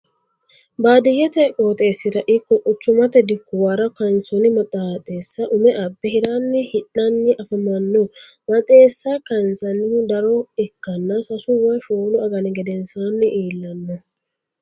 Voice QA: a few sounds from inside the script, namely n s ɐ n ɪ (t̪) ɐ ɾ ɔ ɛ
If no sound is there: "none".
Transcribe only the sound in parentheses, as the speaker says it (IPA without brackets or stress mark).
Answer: d̪